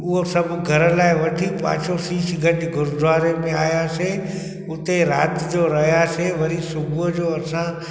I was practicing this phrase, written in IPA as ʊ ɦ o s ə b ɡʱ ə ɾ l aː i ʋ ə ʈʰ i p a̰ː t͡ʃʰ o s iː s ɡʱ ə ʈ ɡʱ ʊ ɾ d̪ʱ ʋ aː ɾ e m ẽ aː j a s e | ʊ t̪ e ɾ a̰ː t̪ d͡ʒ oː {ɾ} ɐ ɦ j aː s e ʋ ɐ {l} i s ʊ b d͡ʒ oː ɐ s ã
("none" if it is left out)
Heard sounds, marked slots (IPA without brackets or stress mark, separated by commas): ɾ, ɾ